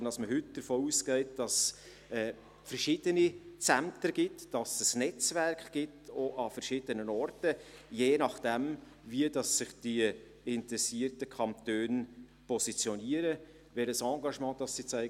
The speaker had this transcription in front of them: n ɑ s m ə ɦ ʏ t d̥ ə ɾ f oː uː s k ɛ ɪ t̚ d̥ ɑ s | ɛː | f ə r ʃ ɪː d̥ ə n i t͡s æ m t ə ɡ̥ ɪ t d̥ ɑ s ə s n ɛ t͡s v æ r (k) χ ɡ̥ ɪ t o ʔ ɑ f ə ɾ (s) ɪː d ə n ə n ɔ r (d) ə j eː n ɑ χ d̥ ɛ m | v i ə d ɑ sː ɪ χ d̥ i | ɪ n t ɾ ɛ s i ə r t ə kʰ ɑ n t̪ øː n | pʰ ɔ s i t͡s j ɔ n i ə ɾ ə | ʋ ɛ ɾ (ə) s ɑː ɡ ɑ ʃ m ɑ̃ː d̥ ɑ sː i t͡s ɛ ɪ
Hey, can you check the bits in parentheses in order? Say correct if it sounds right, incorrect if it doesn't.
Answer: correct, incorrect: ʃ, incorrect: t, correct

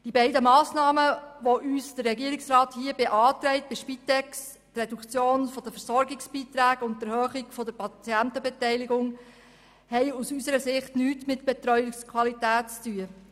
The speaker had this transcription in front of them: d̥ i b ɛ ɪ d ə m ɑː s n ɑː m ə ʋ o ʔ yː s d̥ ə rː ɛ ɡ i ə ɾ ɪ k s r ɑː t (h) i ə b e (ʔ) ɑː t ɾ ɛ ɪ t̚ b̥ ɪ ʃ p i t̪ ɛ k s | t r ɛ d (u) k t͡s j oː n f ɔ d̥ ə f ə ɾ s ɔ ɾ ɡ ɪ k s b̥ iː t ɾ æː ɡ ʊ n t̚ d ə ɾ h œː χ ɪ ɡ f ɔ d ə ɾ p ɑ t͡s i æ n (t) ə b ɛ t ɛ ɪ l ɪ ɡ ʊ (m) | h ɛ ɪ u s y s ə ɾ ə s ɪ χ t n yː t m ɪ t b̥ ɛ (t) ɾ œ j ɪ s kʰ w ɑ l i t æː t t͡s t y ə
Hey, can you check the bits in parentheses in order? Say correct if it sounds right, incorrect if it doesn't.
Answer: correct, correct, correct, correct, incorrect: ŋ, correct

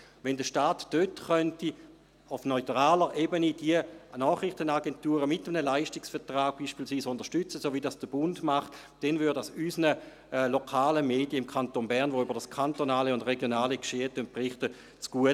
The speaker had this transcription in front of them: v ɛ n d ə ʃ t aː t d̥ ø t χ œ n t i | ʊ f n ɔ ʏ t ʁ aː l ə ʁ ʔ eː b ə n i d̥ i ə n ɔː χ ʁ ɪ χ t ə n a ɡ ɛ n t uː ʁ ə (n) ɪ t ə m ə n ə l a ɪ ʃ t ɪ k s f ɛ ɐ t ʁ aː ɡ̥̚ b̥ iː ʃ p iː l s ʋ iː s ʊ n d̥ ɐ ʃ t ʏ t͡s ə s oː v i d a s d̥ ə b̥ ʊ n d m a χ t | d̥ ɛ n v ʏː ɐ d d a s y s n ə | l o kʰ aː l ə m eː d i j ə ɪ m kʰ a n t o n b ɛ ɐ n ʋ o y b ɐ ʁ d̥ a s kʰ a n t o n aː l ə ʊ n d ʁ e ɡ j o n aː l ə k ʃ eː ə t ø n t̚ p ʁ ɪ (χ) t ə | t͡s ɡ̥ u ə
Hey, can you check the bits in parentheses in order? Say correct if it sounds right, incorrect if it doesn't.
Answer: incorrect: m, correct

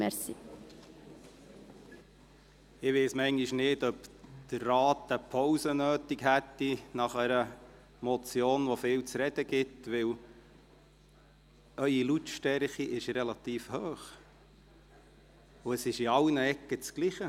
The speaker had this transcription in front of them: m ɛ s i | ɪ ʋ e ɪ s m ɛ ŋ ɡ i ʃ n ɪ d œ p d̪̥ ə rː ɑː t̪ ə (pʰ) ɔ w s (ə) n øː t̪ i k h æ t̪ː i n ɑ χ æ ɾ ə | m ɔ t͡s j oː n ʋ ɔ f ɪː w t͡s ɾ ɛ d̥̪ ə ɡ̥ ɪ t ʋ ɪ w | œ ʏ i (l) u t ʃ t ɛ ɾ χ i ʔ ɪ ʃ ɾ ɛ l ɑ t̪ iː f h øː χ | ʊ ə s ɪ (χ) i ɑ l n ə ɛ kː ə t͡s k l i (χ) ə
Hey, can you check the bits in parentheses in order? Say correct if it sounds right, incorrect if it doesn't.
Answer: correct, correct, correct, incorrect: ʃ, correct

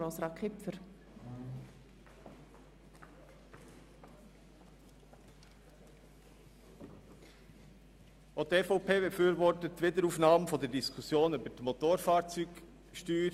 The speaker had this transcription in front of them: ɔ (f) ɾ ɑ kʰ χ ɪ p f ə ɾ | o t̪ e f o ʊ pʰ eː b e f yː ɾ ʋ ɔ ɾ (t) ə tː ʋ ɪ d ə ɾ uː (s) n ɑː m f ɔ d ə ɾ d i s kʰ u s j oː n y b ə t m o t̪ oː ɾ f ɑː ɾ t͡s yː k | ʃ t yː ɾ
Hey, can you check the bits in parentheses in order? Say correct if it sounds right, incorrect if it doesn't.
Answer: incorrect: s, correct, incorrect: f

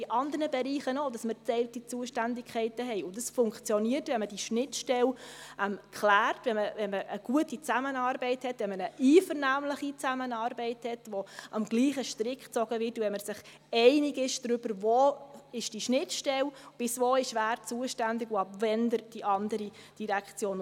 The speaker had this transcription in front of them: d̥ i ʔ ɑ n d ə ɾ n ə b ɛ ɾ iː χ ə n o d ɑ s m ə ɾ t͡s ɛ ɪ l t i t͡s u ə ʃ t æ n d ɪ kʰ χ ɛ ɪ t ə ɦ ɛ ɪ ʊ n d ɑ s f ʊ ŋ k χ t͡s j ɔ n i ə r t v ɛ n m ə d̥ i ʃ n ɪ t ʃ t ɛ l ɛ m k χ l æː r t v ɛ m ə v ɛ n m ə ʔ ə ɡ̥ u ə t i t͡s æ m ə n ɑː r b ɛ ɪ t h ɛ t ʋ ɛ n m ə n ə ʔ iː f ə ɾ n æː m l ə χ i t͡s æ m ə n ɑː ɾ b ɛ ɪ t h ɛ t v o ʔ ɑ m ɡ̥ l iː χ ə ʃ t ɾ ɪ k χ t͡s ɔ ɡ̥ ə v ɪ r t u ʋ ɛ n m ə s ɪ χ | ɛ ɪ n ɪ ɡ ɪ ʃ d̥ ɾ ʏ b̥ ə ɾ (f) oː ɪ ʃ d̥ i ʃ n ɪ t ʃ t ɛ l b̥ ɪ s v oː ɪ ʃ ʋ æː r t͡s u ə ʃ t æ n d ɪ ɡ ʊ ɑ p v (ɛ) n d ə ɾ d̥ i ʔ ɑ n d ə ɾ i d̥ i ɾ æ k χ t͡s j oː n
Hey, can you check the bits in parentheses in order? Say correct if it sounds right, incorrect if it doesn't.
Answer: incorrect: v, correct

